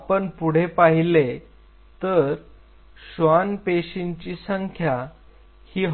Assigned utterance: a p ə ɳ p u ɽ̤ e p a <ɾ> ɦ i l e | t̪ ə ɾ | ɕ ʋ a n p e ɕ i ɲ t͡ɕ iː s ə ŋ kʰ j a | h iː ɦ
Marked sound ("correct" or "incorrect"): incorrect